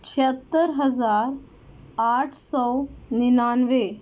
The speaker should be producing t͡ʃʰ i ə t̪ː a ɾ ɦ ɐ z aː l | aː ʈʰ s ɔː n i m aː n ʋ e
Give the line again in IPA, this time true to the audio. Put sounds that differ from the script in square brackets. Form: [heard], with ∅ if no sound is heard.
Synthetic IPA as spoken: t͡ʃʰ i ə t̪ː [ə] ɾ ɦ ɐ z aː [ɾ] | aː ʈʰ s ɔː n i [n] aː n ʋ e